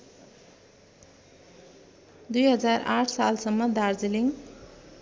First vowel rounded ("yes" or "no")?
yes